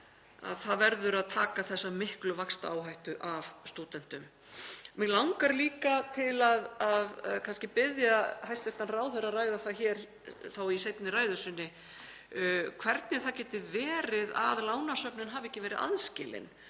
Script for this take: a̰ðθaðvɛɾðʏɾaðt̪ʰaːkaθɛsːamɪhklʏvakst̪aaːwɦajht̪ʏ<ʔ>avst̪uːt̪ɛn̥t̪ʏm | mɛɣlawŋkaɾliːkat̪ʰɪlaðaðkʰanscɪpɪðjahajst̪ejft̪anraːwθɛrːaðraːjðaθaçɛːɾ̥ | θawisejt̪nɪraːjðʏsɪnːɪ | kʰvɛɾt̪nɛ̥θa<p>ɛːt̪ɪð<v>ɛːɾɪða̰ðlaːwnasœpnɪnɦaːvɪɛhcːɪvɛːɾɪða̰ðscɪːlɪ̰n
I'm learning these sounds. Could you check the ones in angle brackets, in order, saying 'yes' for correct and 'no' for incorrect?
yes, no, yes

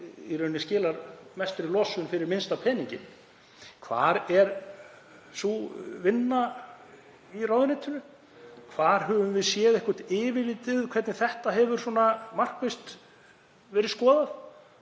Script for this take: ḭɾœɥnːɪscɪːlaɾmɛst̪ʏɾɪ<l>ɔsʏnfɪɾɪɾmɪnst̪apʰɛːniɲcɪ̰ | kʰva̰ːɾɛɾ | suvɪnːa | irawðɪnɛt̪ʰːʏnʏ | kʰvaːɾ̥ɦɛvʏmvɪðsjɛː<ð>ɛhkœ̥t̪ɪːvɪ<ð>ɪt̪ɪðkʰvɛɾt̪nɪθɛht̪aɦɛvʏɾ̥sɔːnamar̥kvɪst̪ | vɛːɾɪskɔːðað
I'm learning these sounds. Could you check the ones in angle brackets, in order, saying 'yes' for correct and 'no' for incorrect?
yes, yes, no

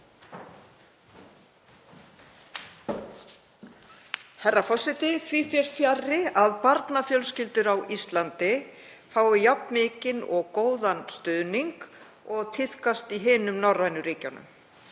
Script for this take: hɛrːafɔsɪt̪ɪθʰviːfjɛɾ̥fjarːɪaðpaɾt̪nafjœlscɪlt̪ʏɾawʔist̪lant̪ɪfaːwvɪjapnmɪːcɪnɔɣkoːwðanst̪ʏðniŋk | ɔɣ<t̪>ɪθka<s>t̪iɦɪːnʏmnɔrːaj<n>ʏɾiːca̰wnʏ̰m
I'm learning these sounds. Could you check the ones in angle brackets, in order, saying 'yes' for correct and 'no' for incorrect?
no, yes, yes

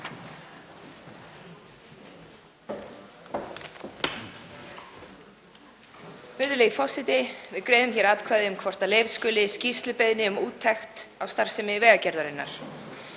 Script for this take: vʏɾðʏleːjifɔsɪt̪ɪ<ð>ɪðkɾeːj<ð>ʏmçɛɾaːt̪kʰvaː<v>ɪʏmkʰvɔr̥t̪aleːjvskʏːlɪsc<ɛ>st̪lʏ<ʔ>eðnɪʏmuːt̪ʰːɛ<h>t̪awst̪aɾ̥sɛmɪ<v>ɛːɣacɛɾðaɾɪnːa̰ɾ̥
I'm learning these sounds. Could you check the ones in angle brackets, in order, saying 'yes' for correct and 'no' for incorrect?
no, yes, no, no, no, no, yes

